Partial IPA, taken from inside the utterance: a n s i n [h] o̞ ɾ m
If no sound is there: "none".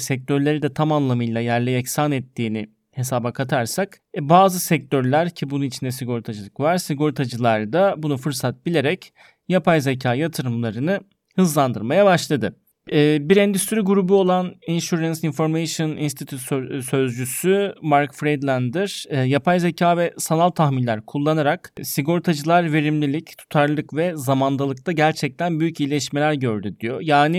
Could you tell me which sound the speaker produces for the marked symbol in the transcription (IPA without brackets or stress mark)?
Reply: f